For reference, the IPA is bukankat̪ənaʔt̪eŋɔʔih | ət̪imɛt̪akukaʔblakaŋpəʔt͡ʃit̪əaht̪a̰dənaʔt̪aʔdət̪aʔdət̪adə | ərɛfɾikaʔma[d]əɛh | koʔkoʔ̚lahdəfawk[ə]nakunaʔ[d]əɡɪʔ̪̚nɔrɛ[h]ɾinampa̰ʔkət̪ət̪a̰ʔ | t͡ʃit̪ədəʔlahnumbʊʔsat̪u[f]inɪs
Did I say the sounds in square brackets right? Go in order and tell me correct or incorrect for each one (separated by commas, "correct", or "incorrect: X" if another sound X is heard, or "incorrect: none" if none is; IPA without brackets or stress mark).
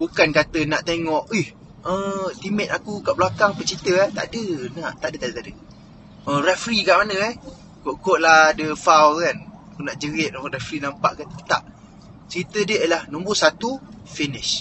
incorrect: n, incorrect: a, incorrect: d͡ʒ, incorrect: f, correct